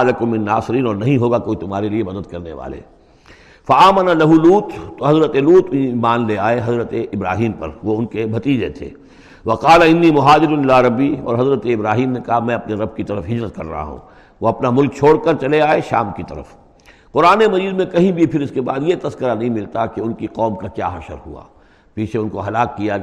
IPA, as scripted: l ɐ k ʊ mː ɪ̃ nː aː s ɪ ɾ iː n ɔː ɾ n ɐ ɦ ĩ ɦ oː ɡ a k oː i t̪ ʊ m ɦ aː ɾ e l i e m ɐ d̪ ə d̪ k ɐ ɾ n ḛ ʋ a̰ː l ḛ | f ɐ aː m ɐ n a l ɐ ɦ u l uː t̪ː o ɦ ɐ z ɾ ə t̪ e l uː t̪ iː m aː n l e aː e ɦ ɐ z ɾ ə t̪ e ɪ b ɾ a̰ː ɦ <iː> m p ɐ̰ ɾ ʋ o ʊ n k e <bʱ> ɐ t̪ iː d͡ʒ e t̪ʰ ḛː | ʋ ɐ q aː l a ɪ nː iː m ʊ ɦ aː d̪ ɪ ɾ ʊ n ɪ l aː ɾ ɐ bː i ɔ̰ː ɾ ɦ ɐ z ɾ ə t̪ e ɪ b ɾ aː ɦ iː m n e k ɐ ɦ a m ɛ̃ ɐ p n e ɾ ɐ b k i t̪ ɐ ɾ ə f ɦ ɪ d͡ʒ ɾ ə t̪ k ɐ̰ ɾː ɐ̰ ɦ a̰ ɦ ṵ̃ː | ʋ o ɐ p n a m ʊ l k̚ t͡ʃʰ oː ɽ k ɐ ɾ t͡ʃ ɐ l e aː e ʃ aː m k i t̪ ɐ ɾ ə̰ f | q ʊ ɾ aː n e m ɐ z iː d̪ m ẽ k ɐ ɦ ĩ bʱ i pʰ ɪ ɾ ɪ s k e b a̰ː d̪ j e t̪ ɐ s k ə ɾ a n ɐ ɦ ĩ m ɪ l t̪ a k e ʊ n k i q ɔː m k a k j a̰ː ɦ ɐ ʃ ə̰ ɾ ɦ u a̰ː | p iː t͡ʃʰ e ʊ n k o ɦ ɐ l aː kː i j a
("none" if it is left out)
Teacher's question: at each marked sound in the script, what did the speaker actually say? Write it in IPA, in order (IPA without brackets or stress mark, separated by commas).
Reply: iː, bʱ